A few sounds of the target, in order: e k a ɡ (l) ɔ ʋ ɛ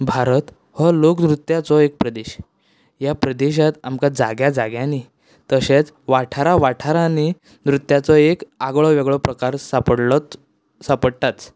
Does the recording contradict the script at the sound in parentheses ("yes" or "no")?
yes